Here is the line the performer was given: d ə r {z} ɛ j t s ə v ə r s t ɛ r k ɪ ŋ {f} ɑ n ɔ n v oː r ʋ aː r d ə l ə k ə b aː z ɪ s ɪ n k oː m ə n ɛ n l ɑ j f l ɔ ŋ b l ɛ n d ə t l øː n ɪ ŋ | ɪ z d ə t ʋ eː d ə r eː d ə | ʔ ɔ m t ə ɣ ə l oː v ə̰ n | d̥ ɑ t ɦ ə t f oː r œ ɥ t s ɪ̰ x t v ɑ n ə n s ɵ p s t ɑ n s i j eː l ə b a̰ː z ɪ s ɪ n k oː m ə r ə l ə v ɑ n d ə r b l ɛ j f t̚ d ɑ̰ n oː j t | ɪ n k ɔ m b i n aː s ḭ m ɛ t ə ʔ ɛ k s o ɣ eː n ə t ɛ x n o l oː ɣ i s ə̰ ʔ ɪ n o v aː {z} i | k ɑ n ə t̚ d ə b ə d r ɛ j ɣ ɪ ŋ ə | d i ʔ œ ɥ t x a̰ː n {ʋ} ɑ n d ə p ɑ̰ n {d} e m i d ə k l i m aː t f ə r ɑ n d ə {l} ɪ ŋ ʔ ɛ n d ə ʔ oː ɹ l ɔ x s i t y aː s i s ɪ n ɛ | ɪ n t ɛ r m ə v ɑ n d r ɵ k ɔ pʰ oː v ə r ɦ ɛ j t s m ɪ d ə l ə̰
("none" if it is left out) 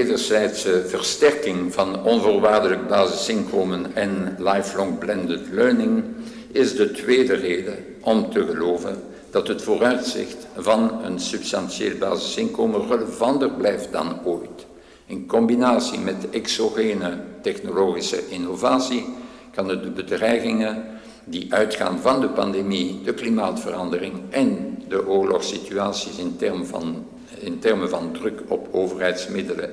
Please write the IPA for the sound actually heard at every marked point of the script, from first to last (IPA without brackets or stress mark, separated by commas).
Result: z, v, s, v, d, r